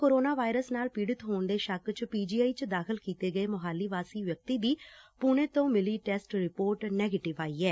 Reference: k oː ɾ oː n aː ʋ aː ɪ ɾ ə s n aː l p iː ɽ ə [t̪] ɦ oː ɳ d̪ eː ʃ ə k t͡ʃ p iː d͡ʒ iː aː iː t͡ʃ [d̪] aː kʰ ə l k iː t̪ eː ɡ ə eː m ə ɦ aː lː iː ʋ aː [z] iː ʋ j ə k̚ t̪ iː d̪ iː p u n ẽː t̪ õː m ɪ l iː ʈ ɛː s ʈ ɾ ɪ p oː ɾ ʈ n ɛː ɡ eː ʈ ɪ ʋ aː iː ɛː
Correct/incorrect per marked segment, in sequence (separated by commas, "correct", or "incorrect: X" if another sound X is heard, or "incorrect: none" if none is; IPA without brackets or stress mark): correct, correct, incorrect: s